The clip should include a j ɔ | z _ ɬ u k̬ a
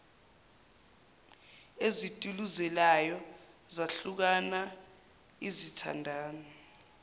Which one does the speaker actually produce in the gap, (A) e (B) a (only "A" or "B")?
B